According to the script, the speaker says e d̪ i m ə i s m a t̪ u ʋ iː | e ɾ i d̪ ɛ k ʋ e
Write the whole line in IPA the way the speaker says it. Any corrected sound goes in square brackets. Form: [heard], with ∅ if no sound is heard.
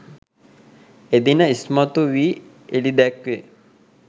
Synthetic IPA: e d̪ i [n] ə i s m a t̪ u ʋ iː | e [l] i d̪ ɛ k ʋ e